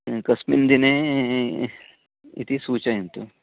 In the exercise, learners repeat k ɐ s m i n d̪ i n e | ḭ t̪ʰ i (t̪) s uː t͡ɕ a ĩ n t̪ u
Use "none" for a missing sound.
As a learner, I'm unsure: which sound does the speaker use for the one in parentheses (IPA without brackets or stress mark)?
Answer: none